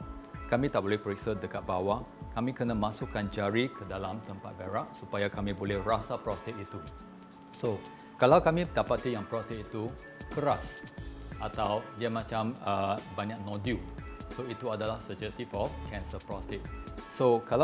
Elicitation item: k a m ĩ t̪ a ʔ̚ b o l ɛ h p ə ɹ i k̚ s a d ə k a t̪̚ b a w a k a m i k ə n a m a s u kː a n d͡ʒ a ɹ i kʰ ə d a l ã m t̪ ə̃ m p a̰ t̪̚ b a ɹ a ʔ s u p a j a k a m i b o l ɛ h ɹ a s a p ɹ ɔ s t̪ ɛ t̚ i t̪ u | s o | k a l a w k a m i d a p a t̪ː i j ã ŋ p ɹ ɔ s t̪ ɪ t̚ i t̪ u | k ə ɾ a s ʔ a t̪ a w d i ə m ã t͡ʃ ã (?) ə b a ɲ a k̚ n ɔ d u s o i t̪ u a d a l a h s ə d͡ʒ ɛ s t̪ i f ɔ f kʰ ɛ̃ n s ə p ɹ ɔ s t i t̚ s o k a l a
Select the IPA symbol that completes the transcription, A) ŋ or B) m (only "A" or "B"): B